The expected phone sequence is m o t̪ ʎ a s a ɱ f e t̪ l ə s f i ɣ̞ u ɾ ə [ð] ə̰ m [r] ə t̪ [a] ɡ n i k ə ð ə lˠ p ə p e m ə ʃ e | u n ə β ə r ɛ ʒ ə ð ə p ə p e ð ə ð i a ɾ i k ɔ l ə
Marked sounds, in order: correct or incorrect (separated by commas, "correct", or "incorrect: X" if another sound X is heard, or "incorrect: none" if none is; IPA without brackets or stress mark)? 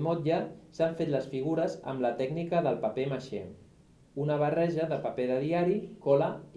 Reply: incorrect: z, incorrect: l, incorrect: ɛ